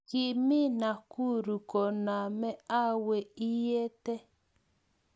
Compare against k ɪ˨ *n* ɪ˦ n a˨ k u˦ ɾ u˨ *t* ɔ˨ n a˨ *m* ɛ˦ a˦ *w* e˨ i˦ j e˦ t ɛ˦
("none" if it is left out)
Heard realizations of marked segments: m, k, m, w

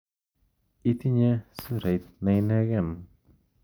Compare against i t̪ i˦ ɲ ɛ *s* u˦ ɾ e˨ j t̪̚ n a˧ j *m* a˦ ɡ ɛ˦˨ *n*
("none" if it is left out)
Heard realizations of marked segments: s, n, n

